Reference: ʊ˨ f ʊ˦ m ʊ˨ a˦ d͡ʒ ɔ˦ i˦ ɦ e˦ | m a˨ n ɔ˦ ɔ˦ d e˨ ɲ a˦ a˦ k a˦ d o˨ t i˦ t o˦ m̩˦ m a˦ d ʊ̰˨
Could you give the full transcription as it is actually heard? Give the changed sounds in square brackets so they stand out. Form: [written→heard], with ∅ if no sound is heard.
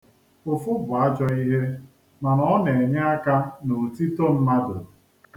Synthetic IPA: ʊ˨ f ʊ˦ [m→b] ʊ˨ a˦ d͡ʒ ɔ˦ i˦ ɦ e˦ | m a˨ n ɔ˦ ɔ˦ [d→n] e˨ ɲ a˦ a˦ k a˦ [d→n] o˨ t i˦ t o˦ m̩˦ m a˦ d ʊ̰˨